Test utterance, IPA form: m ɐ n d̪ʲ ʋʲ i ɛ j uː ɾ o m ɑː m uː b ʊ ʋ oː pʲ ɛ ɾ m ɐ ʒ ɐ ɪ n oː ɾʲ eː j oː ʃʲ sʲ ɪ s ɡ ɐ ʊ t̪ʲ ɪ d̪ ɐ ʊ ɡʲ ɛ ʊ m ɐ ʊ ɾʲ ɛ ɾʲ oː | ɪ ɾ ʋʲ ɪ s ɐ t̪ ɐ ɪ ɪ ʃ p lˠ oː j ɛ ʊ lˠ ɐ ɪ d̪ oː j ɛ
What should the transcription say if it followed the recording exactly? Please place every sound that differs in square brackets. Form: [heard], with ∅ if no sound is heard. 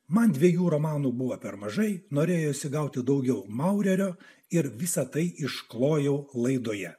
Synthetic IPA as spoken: m ɐ n d̪ʲ ʋʲ i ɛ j uː ɾ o m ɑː [n] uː b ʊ ʋ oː pʲ ɛ ɾ m ɐ ʒ ɐ ɪ n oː ɾʲ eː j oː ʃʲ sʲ ɪ [∅] ɡ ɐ ʊ t̪ʲ ɪ d̪ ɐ ʊ ɡʲ ɛ ʊ m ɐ ʊ ɾʲ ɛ ɾʲ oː | ɪ ɾ ʋʲ ɪ s ɐ t̪ ɐ ɪ ɪ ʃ [k] lˠ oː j ɛ ʊ lˠ ɐ ɪ d̪ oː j ɛ